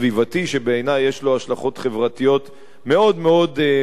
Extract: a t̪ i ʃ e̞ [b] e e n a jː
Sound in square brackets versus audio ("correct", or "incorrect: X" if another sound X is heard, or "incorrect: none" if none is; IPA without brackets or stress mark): correct